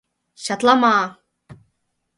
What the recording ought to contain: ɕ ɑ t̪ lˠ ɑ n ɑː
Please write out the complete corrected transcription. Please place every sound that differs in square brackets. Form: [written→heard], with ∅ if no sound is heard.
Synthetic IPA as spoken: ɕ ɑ t̪ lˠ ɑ [n→m] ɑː